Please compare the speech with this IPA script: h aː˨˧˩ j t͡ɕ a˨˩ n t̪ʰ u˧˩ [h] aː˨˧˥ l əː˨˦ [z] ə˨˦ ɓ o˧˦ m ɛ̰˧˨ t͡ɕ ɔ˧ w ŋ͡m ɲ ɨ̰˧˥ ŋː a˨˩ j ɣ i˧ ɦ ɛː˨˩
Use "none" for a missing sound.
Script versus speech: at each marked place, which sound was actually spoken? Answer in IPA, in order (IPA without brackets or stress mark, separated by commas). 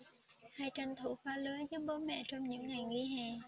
f, z